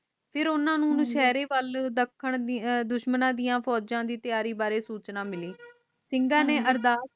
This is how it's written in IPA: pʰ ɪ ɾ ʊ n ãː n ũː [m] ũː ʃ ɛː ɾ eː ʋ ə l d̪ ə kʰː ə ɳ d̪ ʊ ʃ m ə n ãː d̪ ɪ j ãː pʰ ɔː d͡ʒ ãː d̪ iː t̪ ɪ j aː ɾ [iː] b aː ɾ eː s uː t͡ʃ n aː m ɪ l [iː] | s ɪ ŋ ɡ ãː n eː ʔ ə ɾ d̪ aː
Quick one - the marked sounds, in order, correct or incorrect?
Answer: incorrect, correct, correct

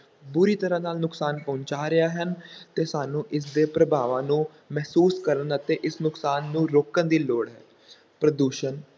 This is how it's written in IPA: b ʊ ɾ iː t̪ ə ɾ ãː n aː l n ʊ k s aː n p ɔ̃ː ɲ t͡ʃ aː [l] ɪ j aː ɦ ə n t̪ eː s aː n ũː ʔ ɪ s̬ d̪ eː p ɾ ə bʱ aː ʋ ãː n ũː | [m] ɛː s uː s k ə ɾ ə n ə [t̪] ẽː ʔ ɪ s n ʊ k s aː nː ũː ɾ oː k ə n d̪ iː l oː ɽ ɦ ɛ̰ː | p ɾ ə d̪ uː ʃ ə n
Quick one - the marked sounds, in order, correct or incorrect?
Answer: incorrect, correct, correct

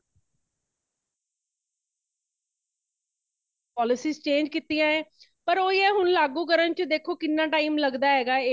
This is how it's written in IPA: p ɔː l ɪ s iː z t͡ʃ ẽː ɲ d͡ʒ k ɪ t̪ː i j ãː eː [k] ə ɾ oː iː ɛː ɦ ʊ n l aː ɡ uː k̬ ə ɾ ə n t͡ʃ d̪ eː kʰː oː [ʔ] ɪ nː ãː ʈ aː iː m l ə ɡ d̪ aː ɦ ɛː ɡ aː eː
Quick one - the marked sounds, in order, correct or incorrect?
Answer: incorrect, incorrect

